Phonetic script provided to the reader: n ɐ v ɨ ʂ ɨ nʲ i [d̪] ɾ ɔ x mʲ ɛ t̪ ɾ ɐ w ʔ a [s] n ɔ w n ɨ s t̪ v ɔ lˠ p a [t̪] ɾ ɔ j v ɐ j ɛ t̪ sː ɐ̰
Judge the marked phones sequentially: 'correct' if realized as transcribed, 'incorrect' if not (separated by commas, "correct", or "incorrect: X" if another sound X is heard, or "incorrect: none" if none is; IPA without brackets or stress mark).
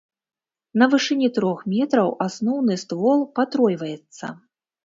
incorrect: t̪, correct, correct